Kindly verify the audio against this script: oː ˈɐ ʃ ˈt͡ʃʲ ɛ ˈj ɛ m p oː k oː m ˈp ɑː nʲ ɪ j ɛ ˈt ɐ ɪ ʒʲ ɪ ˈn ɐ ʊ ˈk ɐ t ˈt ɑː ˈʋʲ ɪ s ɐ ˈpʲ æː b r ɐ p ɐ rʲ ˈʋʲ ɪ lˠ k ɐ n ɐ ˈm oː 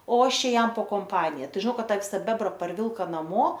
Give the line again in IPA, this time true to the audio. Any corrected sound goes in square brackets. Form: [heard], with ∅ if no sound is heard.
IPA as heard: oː ˈɐ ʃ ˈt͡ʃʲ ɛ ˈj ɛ m p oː k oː m ˈp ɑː nʲ ɪ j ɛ ˈt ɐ ɪ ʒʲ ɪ ˈn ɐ ʊ ˈk ɐ t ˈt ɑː ˈʋʲ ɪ s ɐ [ˈbʲ] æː b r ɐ p ɐ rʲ ˈʋʲ ɪ lˠ k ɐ n ɐ ˈm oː